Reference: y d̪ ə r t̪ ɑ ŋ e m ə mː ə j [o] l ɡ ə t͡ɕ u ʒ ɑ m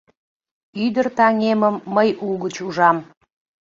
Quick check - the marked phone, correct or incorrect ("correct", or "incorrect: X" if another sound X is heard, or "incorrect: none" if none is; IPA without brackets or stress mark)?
incorrect: u